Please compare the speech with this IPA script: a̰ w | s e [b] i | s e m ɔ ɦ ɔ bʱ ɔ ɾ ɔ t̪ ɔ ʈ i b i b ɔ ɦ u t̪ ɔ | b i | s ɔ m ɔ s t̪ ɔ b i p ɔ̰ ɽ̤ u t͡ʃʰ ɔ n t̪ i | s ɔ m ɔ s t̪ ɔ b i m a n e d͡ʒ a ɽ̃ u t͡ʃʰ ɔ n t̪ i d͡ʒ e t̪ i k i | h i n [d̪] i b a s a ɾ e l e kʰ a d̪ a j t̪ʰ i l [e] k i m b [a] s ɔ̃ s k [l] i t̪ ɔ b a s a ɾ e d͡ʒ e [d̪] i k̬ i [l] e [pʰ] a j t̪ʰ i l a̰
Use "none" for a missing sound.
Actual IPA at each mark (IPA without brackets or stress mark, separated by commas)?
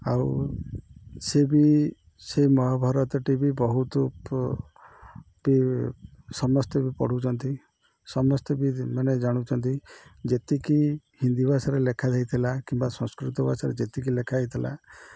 b, d̪, a, a, ɾ, t̪, l, kʰ